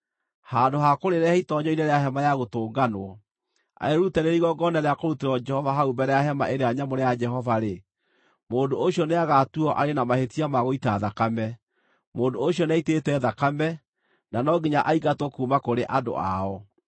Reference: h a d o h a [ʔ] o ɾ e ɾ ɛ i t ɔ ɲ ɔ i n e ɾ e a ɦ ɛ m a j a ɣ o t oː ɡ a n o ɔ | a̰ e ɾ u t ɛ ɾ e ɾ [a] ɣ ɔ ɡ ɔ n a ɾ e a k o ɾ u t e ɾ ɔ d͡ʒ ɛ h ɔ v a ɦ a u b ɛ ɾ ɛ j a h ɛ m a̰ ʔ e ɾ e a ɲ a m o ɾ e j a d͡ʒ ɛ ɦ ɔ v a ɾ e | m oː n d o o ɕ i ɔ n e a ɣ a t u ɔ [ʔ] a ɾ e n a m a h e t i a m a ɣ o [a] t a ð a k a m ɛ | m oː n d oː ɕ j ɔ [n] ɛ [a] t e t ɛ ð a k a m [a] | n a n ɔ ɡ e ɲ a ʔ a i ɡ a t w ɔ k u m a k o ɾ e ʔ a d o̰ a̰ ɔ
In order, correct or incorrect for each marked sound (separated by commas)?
incorrect, incorrect, correct, incorrect, correct, incorrect, incorrect